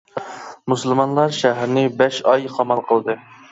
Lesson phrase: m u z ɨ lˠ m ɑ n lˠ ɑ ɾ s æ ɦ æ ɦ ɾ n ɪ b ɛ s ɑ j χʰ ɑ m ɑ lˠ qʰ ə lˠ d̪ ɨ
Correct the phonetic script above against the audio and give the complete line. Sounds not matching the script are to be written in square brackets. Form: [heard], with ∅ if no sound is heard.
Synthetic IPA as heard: m u [s] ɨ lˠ m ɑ n lˠ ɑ ɾ [ʃ] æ ɦ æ [∅] ɾ n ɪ b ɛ [ʃ] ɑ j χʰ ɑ m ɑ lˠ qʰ ə lˠ d̪ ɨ